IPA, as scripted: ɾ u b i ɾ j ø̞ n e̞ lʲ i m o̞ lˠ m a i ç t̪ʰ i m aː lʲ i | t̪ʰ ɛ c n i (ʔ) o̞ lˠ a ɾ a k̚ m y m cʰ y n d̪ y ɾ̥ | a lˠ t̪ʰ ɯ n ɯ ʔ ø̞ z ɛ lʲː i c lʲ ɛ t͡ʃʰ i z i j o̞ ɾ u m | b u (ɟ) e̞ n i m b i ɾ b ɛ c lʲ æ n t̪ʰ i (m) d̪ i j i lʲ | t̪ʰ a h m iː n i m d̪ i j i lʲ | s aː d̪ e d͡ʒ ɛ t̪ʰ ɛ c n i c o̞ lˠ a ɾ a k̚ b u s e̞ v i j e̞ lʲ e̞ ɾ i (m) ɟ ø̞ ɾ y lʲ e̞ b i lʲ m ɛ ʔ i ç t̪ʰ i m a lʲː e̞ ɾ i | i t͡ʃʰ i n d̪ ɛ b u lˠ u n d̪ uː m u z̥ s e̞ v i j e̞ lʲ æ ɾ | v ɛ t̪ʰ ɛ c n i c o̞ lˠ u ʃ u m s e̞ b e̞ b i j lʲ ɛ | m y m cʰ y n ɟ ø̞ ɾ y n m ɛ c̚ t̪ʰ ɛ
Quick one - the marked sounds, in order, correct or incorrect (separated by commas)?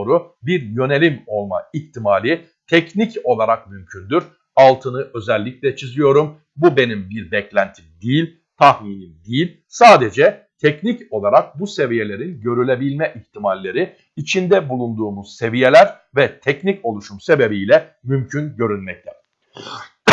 incorrect, incorrect, correct, incorrect